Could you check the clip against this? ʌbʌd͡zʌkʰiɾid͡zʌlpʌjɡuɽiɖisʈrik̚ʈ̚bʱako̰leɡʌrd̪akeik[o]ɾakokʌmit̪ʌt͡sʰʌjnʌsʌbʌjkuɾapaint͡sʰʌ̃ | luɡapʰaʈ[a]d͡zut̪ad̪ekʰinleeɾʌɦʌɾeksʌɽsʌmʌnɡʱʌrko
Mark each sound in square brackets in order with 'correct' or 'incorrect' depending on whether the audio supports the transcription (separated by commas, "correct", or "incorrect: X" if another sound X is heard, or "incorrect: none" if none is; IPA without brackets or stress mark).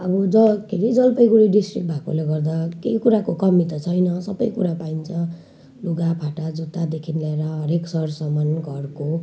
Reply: incorrect: u, correct